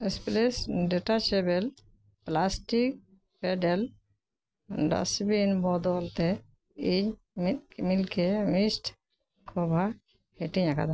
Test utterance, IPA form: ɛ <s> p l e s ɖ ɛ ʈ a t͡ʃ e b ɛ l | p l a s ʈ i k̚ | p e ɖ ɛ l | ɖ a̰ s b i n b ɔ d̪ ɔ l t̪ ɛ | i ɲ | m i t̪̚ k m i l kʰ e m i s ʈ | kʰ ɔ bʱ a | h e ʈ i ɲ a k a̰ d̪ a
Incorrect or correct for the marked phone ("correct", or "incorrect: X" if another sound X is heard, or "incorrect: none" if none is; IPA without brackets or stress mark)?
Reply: correct